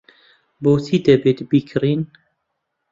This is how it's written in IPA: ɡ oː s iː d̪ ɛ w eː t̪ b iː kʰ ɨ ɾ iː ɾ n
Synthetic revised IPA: b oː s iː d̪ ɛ b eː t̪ b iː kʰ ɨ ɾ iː n

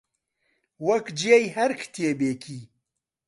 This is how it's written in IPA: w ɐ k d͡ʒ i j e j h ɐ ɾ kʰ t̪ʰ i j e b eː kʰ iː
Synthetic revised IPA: w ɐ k d͡ʒ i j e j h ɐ ɾ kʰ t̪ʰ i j e b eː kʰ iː

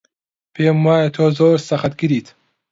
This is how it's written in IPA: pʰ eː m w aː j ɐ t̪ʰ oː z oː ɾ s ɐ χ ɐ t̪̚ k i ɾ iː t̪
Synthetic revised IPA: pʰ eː m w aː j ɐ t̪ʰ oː z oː ɾ s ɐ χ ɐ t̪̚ ɡ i ɾ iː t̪

